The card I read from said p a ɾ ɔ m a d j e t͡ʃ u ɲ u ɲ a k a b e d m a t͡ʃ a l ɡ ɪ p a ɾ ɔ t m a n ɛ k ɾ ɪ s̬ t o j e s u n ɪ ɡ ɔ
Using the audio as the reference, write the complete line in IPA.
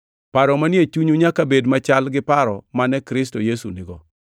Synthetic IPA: p a ɾ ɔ m a n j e t͡ʃ u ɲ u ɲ a k a b e d m a t͡ʃ a l ɡ ɪ p a ɾ ɔ m a n ɛ k ɾ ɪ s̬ t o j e s u n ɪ ɡ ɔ